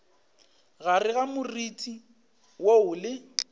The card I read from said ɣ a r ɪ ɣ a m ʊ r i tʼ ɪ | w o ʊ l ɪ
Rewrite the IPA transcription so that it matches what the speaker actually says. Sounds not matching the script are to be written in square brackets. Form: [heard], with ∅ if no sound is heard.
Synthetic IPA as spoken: ɣ a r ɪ ɣ a m ʊ r i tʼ [i] | w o ʊ l ɪ